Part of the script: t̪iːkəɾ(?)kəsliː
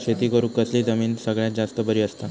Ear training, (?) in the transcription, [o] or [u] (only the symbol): u